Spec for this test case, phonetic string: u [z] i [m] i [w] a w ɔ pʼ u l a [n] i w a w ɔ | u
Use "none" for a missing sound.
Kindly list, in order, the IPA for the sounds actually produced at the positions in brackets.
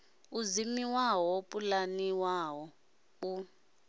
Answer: z, m, w, n

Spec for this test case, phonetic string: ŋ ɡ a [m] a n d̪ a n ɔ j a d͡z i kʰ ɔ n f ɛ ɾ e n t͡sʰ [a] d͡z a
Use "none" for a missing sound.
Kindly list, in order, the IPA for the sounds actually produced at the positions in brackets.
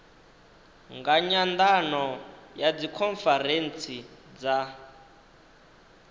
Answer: ɲ, i

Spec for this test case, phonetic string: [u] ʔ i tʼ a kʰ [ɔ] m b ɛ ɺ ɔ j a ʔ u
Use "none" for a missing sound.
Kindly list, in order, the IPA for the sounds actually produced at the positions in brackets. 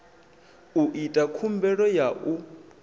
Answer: u, u

